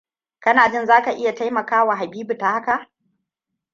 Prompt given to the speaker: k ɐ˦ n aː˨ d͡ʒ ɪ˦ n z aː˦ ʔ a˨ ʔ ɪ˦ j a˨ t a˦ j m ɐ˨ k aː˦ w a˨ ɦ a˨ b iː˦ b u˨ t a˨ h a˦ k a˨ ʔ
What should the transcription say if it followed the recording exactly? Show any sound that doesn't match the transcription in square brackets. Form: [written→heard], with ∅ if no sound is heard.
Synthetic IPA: k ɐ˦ n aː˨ d͡ʒ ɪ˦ n z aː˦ [ʔ→k] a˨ ʔ ɪ˦ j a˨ t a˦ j m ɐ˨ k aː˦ w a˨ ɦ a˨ b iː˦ b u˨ t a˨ h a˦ k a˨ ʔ